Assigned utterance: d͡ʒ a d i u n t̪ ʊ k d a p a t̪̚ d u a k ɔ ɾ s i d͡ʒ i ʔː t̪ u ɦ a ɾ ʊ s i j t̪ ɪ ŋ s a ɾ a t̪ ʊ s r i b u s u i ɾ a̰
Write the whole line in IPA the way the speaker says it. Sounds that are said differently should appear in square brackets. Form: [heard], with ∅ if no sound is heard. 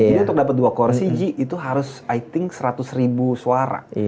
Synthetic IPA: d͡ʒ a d i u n t̪ ʊ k d a p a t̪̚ d u a k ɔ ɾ s i d͡ʒ i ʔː t̪ u ɦ a ɾ ʊ s [a] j t̪ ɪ ŋ s [ə] ɾ a t̪ ʊ s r i b u s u [a] ɾ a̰